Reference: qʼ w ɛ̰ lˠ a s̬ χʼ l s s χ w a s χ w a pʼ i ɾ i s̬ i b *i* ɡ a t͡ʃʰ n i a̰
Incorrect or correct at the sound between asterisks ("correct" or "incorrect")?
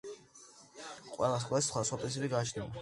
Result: correct